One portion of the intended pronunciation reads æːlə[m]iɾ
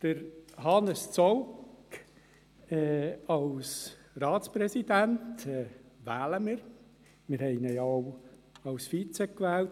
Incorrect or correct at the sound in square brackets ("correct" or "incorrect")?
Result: correct